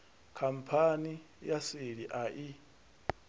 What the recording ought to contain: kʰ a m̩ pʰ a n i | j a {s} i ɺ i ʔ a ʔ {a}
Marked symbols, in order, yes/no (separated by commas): yes, no